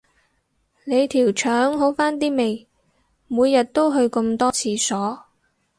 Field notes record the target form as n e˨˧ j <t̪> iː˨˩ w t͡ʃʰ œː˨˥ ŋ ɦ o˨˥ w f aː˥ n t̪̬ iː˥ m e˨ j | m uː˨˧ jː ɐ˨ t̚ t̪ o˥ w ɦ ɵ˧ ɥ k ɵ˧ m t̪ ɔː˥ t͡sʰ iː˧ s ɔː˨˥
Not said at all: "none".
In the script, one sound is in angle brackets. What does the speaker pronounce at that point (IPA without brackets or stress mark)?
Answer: t̪ʰ